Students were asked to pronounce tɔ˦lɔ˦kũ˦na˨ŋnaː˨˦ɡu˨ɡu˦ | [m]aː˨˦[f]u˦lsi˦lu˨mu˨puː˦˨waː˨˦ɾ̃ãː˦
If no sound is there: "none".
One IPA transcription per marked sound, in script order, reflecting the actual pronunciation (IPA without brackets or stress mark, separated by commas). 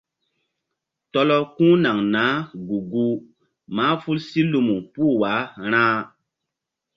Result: m, f